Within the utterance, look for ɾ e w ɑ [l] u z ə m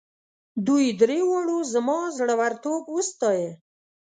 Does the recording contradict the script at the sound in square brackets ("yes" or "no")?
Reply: yes